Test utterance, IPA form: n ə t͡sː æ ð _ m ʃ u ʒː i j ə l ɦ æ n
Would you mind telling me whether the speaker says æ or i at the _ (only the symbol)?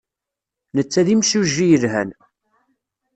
i